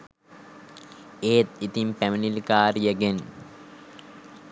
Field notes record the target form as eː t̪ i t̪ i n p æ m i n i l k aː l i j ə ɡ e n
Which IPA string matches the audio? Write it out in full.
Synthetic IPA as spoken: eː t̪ i t̪ i m p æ m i n i l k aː ɾ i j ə ɡ e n